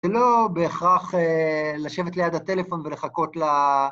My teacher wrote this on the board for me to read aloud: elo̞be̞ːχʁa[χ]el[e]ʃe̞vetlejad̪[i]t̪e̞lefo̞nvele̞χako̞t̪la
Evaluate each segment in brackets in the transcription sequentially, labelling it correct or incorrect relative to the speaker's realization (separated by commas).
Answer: correct, incorrect, incorrect